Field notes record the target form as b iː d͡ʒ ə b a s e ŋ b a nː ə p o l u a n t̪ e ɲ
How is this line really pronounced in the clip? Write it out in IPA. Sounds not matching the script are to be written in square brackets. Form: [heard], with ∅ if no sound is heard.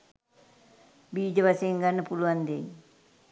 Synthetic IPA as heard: b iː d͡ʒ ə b a s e ŋ [ɡ] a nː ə p [u] l u a n [d̪] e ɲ